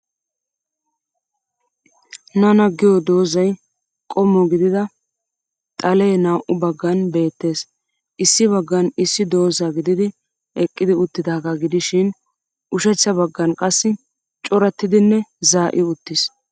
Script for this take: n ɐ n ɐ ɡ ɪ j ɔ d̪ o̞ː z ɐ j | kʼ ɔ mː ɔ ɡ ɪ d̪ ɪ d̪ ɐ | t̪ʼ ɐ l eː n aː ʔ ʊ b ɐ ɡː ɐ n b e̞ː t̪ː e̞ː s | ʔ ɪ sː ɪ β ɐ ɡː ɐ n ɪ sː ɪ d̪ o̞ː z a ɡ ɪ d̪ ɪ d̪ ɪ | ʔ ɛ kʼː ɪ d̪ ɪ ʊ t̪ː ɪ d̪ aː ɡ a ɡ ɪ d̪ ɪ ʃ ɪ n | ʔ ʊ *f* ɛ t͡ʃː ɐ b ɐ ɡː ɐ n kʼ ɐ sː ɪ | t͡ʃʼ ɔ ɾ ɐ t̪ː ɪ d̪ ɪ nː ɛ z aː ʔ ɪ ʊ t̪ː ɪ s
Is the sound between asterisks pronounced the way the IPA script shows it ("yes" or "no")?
no